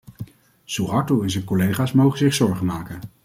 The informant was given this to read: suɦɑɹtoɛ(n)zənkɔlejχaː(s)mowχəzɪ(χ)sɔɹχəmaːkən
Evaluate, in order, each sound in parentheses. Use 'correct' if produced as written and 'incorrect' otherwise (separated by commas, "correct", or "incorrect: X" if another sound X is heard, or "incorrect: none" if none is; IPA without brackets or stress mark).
correct, correct, correct